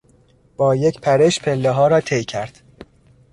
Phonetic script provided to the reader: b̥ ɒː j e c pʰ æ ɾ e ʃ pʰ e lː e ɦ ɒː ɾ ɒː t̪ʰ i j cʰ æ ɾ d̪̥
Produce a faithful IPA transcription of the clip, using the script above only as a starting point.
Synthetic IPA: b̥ ɒː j e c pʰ æ ɾ e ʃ pʰ e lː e ɦ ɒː ɾ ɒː t̪ʰ e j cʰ æ ɾ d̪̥